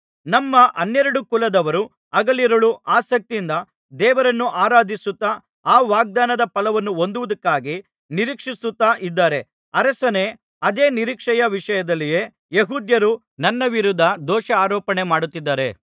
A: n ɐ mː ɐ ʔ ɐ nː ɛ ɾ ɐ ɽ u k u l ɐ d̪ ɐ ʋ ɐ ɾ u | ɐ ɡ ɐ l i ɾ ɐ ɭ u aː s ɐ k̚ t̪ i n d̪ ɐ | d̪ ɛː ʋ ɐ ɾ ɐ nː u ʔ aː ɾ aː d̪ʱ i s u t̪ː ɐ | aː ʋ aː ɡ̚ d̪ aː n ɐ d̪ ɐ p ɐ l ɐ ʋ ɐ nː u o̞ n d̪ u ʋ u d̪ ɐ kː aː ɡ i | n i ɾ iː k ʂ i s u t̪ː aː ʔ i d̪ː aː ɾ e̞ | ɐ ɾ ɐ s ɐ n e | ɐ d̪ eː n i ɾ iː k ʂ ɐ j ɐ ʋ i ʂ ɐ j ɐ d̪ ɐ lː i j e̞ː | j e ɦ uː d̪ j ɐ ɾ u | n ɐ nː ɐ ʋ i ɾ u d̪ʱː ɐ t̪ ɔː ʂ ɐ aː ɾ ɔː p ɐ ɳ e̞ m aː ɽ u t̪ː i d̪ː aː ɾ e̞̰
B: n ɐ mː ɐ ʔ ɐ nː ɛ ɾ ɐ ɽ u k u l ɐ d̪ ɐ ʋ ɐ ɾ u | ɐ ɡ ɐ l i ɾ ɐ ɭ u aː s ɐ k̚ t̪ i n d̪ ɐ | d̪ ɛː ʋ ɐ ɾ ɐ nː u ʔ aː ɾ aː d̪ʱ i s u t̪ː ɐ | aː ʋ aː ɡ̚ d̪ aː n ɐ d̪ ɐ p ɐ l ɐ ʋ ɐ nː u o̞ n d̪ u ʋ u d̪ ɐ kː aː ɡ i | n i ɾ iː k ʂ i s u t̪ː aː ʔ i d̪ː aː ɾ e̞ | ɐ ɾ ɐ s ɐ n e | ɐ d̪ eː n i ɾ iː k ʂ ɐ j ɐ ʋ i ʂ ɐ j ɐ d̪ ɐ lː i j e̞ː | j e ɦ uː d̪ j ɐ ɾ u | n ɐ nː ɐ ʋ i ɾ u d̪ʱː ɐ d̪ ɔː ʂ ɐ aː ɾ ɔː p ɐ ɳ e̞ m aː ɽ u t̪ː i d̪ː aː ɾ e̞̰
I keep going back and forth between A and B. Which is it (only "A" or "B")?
B